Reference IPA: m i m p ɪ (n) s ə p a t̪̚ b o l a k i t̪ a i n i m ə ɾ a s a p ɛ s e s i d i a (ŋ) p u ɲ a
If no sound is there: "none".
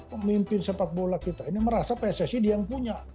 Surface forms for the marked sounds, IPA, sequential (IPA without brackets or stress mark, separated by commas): n, ŋ